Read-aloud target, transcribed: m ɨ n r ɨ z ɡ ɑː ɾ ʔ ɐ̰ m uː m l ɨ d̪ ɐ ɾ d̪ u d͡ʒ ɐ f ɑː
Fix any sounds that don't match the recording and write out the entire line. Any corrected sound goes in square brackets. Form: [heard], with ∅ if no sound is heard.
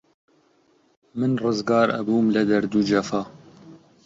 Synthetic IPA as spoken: m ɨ n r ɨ z ɡ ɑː ɾ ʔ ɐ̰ [b] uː m l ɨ d̪ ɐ ɾ d̪ u d͡ʒ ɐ f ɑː